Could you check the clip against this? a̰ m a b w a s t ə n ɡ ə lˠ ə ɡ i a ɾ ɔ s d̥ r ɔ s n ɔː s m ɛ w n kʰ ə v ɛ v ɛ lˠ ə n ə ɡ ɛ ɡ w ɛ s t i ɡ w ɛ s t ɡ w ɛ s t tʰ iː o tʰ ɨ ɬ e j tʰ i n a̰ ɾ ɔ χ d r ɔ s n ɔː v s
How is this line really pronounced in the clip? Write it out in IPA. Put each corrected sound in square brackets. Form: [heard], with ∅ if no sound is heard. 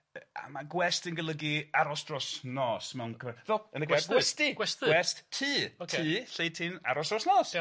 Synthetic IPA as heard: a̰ m a [ɡ] w [ɛ] s t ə n ɡ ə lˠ ə ɡ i a ɾ ɔ s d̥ r ɔ s n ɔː s m ɛ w n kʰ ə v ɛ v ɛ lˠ ə n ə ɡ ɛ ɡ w ɛ s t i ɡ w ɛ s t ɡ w ɛ s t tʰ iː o tʰ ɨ ɬ e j tʰ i n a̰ ɾ ɔ [s] d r ɔ s n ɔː [∅] s

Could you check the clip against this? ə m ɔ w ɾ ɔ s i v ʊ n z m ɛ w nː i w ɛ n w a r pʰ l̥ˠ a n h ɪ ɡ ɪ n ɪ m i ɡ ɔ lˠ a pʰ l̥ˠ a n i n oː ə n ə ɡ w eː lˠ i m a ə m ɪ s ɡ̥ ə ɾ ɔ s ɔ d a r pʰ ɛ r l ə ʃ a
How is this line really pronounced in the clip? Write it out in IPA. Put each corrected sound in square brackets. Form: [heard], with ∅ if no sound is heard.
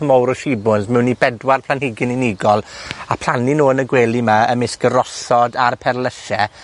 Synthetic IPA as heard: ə m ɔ w ɾ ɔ [ʃ] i [b] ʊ n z m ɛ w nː i [b] ɛ [d] w a r pʰ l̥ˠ a n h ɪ ɡ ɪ n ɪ [n] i ɡ ɔ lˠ a pʰ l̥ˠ a n i n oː ə n ə ɡ w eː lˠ i m a ə m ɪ s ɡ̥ ə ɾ ɔ s ɔ d a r pʰ ɛ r l ə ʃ [ɛ]

